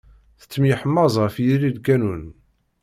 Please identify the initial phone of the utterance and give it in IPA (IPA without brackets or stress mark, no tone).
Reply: θ